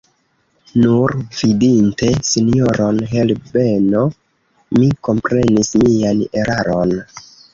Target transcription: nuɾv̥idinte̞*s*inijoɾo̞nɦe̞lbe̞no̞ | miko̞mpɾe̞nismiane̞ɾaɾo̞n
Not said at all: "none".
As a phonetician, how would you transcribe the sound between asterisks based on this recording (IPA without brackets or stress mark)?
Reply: s